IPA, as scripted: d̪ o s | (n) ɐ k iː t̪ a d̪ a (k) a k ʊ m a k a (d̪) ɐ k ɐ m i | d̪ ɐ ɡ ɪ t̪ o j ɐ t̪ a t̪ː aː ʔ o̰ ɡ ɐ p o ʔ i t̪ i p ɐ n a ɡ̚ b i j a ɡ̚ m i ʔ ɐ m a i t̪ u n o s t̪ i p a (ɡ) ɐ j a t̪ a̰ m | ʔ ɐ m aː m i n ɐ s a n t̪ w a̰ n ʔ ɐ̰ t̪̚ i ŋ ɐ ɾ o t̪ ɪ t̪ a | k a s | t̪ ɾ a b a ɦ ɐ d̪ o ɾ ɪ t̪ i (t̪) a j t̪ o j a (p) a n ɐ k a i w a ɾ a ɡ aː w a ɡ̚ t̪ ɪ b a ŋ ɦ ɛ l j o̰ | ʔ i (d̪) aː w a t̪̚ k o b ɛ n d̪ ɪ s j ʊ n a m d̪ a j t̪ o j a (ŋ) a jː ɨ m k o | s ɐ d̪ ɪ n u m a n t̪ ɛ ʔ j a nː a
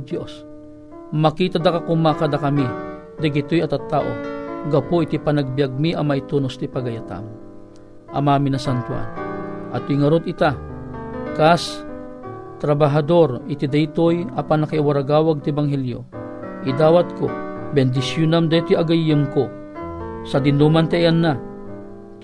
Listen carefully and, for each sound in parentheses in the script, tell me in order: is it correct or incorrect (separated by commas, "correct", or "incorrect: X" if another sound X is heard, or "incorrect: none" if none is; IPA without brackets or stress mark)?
incorrect: m, correct, correct, correct, incorrect: d̪, correct, correct, incorrect: ɡ